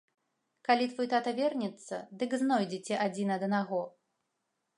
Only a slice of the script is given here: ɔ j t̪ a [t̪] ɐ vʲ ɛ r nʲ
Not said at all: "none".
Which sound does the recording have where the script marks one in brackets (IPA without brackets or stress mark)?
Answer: t̪